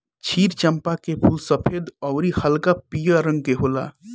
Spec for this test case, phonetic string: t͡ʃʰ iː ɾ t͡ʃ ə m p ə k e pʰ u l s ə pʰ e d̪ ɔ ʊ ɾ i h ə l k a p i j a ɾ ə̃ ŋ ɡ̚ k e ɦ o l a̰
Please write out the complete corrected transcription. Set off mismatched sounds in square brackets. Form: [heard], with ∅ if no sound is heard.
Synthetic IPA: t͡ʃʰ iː ɾ t͡ʃ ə m p [a] k e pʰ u l s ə pʰ e d̪ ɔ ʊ ɾ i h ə l k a p i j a ɾ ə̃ ŋ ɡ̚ k e ɦ o l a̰